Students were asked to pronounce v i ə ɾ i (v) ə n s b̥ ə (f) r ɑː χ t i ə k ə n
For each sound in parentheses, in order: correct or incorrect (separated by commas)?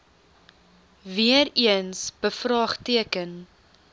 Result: incorrect, correct